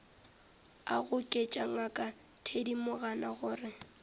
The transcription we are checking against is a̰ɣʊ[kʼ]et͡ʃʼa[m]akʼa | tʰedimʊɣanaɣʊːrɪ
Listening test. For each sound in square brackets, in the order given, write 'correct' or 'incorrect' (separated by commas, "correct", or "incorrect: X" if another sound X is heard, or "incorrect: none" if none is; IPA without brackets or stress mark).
correct, incorrect: ŋ